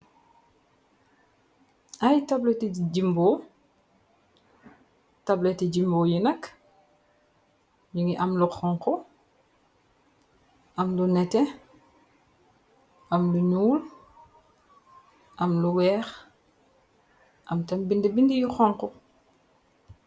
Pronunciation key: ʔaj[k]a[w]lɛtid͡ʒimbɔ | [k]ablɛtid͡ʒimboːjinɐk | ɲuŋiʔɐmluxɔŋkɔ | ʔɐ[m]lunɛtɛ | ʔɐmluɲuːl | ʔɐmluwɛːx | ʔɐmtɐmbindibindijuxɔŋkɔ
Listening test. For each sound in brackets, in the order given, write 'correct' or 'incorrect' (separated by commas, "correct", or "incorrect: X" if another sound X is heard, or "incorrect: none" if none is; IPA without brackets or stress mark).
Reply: incorrect: t, incorrect: b, incorrect: t, correct